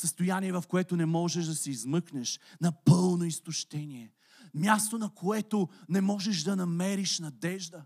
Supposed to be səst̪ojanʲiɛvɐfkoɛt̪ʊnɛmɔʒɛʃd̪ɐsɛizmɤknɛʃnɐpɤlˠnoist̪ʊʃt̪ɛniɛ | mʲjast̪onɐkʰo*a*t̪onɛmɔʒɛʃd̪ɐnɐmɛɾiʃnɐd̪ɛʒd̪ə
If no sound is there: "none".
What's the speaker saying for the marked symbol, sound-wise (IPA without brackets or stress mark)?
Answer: ɛ